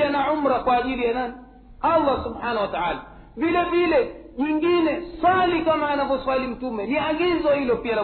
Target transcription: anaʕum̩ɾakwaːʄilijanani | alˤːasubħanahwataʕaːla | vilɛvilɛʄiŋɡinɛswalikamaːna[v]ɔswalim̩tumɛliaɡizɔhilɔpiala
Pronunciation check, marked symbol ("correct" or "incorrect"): correct